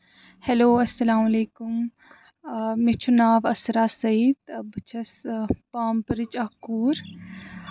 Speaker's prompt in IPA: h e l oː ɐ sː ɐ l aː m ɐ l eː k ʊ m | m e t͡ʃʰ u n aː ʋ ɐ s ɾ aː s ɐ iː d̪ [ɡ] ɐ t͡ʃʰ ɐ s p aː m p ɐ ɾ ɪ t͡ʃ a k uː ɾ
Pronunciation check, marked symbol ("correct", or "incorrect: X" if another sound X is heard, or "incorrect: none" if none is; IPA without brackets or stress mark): incorrect: b